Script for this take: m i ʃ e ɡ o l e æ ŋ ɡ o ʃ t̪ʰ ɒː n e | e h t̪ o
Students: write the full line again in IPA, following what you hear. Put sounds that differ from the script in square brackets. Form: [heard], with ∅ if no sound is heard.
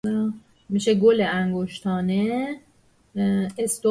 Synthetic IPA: m i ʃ e ɡ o l e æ ŋ ɡ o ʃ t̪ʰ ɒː n e | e [s] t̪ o